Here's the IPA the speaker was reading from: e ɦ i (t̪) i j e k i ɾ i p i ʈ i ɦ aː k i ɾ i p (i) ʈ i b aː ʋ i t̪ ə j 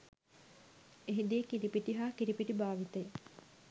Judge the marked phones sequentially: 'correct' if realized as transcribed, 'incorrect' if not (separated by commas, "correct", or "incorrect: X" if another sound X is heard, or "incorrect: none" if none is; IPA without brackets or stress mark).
incorrect: d̪, correct